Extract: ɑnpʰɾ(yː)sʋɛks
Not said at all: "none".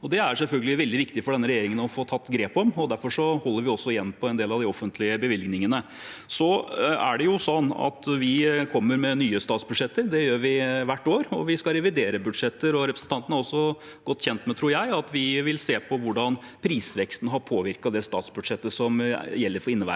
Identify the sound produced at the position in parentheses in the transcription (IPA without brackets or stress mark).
iː